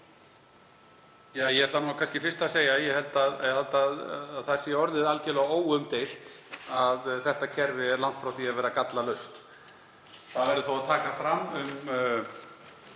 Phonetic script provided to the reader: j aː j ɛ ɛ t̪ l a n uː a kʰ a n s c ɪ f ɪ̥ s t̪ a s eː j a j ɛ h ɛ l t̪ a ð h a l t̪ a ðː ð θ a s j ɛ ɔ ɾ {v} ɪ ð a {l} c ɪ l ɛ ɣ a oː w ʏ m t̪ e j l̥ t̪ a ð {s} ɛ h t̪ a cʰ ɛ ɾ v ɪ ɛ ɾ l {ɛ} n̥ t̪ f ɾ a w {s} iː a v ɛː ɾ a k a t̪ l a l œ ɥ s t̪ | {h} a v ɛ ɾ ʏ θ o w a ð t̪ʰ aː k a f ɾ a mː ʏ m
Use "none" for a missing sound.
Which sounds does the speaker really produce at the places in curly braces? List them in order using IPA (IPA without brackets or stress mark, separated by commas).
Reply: ð, l, θ, a, θ, θ